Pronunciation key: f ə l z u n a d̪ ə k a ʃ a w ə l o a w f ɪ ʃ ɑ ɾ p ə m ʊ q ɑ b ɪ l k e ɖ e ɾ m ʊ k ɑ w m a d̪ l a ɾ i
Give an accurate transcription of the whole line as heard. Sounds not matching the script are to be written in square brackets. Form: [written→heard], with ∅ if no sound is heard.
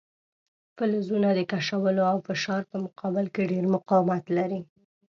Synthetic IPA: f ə l z u n a d̪ ə k a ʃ a w ə l o a w f ɪ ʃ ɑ ɾ p ə m ʊ q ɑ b ɪ l k e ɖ e ɾ m ʊ [k→q] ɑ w m a [d̪→t̪] l a ɾ i